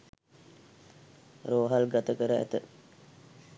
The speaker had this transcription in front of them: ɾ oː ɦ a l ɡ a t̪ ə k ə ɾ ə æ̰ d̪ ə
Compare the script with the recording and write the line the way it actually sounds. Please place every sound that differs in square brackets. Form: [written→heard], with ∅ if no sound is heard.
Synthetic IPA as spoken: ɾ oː ɦ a l ɡ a t̪ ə k ə ɾ ə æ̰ [d̪→t̪] ə